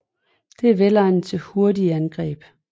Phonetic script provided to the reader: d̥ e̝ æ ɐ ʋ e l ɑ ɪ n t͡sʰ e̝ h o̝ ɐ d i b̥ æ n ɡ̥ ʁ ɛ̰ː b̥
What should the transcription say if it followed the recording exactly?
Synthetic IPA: d̥ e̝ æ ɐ ʋ e l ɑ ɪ n t͡sʰ e̝ h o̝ ɐ d i æ n ɡ̥ ʁ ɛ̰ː b̥

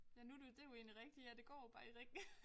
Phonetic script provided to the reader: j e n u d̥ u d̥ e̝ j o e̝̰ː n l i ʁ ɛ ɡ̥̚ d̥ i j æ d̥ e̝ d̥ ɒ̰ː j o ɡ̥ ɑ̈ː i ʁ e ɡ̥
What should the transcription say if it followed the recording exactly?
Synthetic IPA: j æ n u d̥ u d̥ e̝ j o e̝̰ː n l i ʁ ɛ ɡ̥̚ d̥ i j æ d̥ e̝ ɡ̥ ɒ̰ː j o b̥ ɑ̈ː i ʁ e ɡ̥

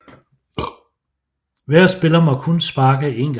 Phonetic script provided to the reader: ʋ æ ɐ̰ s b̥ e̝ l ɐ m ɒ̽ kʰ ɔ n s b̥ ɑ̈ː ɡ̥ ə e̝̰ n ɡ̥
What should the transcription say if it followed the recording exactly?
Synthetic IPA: ʋ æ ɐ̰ s b̥ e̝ l ɐ m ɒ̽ kʰ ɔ n s b̥ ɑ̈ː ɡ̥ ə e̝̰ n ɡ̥

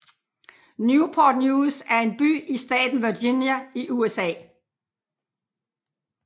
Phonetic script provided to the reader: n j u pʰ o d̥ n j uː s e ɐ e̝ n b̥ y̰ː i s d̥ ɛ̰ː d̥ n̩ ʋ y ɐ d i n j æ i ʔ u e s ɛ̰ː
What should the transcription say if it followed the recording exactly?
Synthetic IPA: n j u pʰ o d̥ n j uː s æ ɐ e̝ n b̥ y̰ː i s d̥ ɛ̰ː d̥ n̩ ʋ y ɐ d i n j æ i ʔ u e s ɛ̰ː

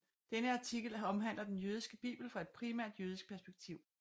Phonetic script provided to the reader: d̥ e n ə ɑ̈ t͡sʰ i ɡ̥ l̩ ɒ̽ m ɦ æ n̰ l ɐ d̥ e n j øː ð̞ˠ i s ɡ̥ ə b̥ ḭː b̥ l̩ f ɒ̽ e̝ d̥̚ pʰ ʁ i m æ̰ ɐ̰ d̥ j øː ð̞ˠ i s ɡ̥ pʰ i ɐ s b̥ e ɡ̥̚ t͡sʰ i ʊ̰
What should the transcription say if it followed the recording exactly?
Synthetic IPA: d̥ e n ə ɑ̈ t͡sʰ i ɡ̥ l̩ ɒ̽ m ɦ æ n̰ l ɐ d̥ e n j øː ð̞ˠ i s ɡ̥ ə b̥ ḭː b̥ l̩ f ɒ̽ e̝ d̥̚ pʰ ʁ i m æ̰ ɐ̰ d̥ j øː ð̞ˠ i s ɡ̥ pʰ æ ɐ s b̥ e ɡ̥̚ t͡sʰ i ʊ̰

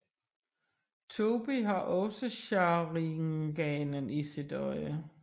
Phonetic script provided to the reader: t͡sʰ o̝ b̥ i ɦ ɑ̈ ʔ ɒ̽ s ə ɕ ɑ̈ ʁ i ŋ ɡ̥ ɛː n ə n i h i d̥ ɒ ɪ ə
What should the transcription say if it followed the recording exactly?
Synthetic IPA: t͡sʰ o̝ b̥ i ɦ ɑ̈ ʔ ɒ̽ s ə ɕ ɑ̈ ʁ i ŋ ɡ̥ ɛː n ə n i s i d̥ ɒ ɪ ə

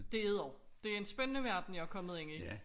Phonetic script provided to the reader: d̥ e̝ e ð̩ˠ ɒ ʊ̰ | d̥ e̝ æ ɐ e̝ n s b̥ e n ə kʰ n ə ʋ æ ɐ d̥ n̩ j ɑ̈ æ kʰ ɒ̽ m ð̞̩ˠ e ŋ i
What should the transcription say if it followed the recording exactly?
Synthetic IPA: d̥ e̝ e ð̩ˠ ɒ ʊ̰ | d̥ e̝ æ ɐ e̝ n s b̥ e n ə n ə ʋ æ ɐ d̥ n̩ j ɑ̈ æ kʰ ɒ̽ m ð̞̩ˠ e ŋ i

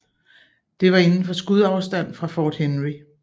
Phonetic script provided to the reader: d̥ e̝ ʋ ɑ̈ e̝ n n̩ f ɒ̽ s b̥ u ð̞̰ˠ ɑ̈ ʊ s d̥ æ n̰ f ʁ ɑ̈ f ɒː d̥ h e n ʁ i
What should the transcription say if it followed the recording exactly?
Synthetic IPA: d̥ e̝ ʋ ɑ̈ e̝ n n̩ f ɒ̽ s ɡ̥ u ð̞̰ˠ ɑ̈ ʊ s d̥ æ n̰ f ʁ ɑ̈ f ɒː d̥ h e n ʁ i

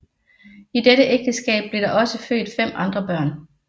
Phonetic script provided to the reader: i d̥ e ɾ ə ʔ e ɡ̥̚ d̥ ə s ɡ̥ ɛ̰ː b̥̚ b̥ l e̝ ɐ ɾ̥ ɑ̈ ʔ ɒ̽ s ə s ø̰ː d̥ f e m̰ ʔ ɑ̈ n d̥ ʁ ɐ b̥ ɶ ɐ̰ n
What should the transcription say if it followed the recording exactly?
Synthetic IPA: i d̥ e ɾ ə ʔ e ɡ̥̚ d̥ ə s ɡ̥ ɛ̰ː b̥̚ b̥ l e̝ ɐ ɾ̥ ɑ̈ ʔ ɒ̽ s ə f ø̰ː d̥ f e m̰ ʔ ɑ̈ n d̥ ʁ ɐ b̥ ɶ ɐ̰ n

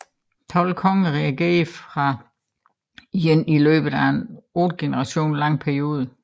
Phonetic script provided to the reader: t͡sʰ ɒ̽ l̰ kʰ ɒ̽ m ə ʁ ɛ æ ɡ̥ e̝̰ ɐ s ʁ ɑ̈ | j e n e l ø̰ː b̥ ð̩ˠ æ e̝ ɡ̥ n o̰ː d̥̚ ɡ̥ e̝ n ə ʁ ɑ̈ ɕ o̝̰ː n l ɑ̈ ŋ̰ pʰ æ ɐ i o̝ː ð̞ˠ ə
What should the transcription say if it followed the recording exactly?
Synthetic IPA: t͡sʰ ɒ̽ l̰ kʰ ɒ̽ ŋ ə ʁ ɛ æ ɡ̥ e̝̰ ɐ f ʁ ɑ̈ | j e n i l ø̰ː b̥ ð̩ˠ æ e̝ n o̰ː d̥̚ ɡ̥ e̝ n ə ʁ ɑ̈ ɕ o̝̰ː n l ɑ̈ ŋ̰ pʰ æ ɐ i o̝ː ð̞ˠ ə

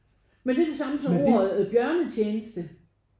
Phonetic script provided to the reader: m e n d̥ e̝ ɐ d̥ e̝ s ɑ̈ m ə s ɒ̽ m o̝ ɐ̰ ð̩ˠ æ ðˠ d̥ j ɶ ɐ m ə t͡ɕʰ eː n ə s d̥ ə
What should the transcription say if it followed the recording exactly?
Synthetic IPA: m e n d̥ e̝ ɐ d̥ e̝ s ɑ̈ m ə s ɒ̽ m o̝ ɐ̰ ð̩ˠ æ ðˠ b̥ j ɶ ɐ n ə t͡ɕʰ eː n ə s d̥ ə

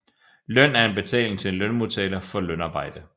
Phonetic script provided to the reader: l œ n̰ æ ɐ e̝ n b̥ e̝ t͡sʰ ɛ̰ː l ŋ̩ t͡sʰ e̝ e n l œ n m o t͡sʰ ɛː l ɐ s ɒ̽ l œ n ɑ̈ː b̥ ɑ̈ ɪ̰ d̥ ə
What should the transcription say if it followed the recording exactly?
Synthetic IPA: l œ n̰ æ ɐ e̝ n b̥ e̝ t͡sʰ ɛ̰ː l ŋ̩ t͡sʰ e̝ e n l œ n m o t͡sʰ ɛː l ɐ f ɒ̽ l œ n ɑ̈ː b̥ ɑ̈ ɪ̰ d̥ ə

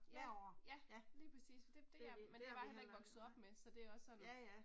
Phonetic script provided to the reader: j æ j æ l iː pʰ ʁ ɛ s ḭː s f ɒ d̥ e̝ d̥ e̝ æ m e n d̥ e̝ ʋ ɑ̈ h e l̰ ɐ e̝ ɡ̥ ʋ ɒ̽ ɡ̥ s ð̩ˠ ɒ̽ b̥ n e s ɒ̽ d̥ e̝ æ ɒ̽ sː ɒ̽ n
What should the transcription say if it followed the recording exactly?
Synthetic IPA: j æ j æ l iː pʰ ʁ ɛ s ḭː s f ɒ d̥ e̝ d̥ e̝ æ m e n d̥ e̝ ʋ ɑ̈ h e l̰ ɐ e̝ ɡ̥ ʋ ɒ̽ ɡ̥ s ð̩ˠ ɒ̽ b̥ m e s ɒ̽ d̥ e̝ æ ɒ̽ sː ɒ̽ n

